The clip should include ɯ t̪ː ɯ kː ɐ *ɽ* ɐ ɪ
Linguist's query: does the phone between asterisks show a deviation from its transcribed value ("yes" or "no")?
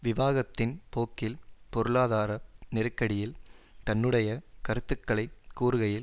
yes